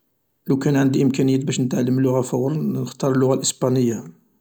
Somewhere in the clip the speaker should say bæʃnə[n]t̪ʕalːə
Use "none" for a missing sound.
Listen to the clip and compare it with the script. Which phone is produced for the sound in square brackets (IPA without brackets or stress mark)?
none